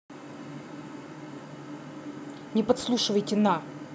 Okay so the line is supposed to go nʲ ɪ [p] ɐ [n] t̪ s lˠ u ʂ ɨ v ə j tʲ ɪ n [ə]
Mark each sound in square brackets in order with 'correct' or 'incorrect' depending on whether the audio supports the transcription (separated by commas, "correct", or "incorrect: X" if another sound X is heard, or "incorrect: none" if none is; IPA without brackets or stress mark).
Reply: correct, incorrect: none, incorrect: a